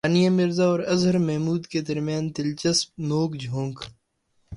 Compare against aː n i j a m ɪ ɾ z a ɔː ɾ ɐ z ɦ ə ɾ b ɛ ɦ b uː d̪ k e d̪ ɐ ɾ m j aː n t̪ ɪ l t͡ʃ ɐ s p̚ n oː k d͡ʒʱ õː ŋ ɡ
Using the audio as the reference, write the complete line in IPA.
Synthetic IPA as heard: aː n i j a m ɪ ɾ z a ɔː ɾ ɐ z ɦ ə ɾ m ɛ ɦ m uː d̪ k e d̪ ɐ ɾ m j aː n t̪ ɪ l t͡ʃ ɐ s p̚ n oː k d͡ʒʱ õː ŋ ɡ

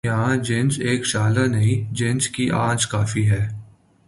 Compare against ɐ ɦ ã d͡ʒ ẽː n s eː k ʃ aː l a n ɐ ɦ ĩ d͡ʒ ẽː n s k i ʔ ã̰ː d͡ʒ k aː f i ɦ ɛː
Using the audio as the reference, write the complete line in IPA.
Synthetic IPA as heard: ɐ ɦ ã d͡ʒ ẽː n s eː k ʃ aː l a n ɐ ɦ ĩ d͡ʒ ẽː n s k i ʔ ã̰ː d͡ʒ k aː f i ɦ ɛː

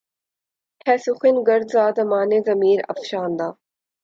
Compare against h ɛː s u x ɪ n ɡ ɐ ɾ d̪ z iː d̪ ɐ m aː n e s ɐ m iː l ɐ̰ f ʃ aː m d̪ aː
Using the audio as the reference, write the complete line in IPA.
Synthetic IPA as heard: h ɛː s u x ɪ n ɡ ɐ ɾ d̪ z aː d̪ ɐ m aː n e z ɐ m iː ɾ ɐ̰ f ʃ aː n d̪ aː

